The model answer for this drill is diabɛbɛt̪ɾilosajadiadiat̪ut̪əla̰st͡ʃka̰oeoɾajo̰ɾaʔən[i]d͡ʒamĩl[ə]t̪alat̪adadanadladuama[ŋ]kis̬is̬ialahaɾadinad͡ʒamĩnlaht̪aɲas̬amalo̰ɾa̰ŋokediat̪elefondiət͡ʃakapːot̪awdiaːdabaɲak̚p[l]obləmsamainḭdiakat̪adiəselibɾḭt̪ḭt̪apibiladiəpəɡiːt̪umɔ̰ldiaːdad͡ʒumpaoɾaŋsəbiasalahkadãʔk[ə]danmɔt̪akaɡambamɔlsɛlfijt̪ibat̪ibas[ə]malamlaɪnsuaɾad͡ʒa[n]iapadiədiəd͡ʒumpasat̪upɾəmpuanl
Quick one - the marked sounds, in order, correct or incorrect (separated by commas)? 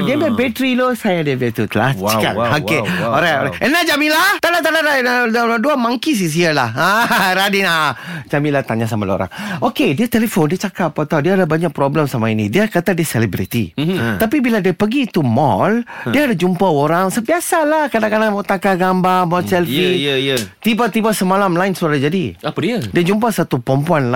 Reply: incorrect, incorrect, correct, incorrect, incorrect, correct, incorrect